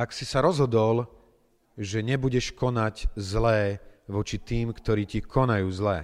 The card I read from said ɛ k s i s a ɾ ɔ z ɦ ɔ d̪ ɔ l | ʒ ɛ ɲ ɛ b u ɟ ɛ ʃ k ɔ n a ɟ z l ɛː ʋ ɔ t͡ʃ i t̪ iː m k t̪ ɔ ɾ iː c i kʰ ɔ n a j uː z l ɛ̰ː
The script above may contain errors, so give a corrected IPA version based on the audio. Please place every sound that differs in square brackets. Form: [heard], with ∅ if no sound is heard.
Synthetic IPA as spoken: [a] k s i s a ɾ ɔ z ɦ ɔ d̪ ɔ l | ʒ ɛ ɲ ɛ b u ɟ ɛ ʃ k ɔ n a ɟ z l ɛː ʋ ɔ t͡ʃ i t̪ iː m k t̪ ɔ ɾ iː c i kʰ ɔ n a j uː z l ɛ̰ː